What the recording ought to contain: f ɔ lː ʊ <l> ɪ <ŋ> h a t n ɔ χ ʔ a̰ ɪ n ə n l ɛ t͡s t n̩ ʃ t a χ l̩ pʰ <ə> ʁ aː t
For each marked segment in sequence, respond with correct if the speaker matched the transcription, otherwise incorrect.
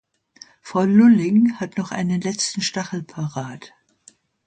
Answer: correct, correct, incorrect: a

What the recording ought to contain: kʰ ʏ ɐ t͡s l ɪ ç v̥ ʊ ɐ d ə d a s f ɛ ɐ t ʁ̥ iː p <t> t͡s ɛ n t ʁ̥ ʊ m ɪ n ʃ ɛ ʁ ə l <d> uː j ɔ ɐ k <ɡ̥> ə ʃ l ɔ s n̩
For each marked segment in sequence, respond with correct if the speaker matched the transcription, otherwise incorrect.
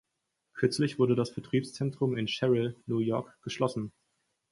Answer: incorrect: s, incorrect: n, correct

